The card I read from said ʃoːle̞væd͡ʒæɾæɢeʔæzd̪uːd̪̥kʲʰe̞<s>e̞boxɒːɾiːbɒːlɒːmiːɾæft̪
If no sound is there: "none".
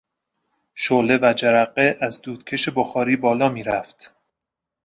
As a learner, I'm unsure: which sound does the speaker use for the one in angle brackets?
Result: ʃ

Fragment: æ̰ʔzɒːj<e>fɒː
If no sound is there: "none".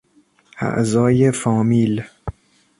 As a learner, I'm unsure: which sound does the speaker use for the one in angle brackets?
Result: e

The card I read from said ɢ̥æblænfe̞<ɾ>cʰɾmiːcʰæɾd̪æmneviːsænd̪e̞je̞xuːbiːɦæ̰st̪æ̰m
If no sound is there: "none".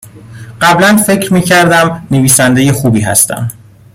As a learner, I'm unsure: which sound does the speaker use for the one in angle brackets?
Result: none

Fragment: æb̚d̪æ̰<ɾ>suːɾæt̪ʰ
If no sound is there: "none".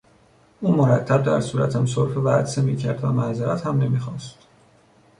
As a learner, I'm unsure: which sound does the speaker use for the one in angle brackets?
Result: ɾ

